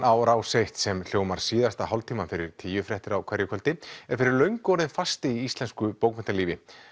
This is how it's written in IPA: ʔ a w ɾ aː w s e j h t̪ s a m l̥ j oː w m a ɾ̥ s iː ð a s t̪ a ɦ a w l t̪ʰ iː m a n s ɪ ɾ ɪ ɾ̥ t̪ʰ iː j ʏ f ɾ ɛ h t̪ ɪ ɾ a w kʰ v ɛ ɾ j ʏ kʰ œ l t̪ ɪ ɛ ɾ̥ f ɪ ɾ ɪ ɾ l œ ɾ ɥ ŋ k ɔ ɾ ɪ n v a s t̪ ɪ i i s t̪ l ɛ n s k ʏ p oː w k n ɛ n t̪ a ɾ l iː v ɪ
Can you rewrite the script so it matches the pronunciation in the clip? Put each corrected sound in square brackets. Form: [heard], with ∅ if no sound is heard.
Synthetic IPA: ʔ a w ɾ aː w s e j h t̪ s [ɛ] m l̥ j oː w m a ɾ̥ s iː ð a s t̪ a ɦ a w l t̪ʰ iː m a n [f] ɪ ɾ ɪ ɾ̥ t̪ʰ iː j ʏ f ɾ ɛ h t̪ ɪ ɾ a w kʰ v ɛ ɾ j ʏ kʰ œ l t̪ ɪ ɛ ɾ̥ f ɪ ɾ ɪ ɾ l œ [∅] ɥ ŋ k ɔ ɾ ɪ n [f] a s t̪ ɪ i i s t̪ l ɛ n s k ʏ p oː w k [m] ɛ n t̪ a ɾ l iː v ɪ